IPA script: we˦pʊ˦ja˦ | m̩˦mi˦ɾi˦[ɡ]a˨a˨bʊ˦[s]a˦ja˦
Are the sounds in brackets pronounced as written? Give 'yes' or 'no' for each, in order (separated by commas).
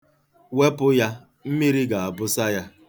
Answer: yes, yes